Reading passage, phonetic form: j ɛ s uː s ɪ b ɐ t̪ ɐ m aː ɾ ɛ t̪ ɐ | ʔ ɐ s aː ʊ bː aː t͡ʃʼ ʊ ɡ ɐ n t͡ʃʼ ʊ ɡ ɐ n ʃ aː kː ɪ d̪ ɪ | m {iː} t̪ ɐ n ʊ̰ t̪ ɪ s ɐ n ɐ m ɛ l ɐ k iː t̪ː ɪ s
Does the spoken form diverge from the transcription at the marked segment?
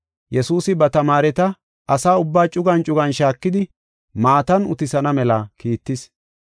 yes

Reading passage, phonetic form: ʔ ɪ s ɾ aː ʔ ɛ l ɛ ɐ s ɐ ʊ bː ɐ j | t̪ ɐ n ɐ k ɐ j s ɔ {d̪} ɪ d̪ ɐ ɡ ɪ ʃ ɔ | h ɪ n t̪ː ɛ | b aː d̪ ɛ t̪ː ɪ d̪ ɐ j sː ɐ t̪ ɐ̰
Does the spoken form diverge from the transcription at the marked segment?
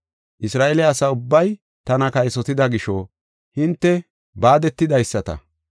yes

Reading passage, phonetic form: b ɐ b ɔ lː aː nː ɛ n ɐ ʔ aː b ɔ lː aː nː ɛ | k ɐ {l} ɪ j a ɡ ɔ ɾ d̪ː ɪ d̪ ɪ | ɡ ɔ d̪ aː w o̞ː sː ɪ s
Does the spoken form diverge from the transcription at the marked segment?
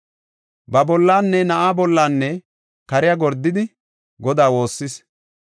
yes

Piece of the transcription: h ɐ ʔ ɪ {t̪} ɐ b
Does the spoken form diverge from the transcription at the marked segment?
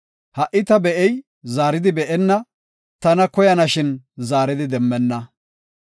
no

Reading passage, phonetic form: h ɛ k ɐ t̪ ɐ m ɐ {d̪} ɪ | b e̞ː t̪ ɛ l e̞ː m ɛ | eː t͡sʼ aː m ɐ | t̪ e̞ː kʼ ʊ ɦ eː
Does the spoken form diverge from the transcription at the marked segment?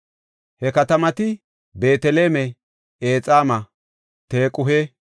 yes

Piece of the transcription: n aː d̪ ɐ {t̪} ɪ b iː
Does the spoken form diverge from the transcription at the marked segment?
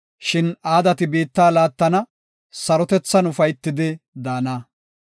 no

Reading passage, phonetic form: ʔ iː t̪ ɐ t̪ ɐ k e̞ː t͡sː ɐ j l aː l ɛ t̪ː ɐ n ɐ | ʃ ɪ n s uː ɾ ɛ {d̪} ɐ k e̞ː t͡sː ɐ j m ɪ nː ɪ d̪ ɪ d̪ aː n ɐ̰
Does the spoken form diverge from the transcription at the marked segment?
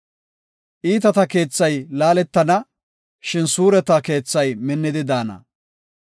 yes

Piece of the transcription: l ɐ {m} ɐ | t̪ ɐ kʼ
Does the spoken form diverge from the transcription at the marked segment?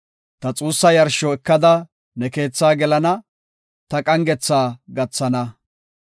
yes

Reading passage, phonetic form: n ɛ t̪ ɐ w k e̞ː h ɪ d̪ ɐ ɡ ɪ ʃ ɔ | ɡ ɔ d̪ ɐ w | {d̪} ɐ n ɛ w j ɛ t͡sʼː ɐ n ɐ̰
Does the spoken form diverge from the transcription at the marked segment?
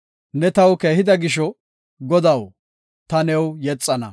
yes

